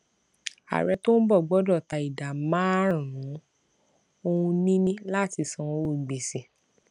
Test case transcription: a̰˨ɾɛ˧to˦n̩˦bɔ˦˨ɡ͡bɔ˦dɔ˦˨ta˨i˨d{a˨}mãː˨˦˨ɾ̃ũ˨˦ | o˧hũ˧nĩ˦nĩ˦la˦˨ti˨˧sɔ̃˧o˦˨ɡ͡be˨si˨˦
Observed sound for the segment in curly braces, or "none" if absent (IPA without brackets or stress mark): a˨